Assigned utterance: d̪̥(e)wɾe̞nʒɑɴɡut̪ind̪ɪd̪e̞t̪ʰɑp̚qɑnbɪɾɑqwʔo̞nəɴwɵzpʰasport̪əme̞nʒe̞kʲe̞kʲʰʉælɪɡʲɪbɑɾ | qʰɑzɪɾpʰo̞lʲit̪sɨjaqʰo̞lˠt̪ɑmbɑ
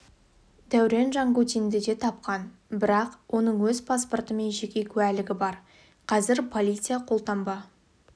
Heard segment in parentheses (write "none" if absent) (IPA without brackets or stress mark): æ